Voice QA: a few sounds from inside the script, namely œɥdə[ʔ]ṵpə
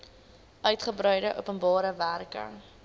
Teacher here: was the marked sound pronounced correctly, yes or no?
yes